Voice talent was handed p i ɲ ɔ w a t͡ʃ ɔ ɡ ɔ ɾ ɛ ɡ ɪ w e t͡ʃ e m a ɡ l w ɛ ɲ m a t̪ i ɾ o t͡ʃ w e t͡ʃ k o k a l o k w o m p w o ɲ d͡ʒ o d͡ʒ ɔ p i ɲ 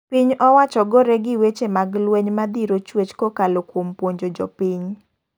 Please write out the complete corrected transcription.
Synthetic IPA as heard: p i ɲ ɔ w a t͡ʃ ɔ ɡ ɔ ɾ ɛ ɡ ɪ w e t͡ʃ e m a ɡ l w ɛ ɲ m a d̪ i ɾ o t͡ʃ w e t͡ʃ k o k a l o k w o m p w o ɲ d͡ʒ o d͡ʒ ɔ p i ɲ